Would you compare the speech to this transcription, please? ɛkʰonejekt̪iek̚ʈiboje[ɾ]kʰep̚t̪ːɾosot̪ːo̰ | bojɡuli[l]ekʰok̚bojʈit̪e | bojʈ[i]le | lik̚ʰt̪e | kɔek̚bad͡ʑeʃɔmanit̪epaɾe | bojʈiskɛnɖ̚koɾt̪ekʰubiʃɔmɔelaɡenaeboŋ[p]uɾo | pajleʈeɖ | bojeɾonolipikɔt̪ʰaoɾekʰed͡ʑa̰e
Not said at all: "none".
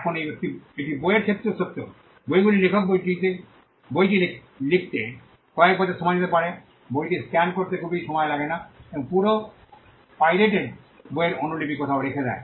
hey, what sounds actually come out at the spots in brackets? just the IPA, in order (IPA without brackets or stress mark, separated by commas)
ɾ, l, i, p